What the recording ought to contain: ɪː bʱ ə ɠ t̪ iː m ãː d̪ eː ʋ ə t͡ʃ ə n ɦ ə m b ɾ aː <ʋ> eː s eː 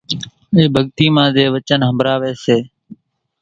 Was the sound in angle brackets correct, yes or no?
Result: yes